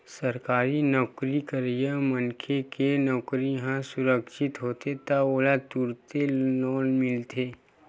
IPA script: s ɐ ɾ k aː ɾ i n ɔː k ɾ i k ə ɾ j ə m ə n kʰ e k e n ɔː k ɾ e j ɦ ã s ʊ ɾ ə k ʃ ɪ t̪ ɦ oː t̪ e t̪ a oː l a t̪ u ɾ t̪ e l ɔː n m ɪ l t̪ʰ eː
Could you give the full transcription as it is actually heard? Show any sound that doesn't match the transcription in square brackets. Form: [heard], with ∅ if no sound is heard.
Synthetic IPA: s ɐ ɾ k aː ɾ i n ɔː k ɾ i k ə ɾ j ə m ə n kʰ e k e n ɔː k ɾ [i] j ɦ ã s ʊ ɾ ə k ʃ ɪ t̪ ɦ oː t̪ e t̪ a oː l a t̪ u ɾ t̪ e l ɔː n m ɪ l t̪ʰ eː